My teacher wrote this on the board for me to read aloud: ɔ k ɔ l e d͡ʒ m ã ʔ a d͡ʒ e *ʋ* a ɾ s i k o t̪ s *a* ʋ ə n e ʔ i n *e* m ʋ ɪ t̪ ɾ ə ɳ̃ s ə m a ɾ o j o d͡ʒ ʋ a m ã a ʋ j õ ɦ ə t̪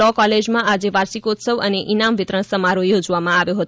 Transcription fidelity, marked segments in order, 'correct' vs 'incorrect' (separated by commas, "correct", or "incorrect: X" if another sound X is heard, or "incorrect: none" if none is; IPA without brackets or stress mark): correct, incorrect: ə, incorrect: a